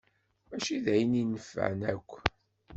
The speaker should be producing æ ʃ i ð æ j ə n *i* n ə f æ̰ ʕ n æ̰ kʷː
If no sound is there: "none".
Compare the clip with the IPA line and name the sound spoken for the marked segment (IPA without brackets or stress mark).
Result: i